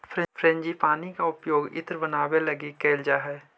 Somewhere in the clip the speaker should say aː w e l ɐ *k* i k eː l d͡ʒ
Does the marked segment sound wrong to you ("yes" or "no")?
yes